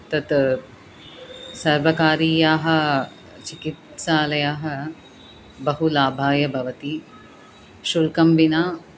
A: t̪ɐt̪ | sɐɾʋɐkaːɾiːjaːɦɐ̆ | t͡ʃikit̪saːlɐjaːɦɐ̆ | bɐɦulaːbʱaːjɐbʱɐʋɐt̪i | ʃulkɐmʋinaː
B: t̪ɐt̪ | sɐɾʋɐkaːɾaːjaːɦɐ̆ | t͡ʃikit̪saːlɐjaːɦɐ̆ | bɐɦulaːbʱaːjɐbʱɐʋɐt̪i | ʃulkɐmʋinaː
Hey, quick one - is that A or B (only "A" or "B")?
A